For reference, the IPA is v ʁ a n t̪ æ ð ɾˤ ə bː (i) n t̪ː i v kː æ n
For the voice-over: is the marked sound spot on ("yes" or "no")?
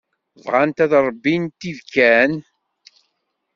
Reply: yes